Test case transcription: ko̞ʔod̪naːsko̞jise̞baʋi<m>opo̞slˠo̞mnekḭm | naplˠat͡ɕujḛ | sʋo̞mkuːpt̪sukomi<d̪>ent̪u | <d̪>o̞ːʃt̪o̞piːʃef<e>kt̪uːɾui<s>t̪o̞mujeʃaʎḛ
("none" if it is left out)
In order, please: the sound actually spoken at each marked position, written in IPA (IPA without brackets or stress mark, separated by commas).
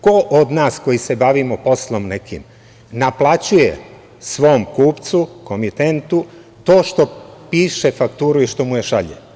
m, t̪, t̪, a, ʃ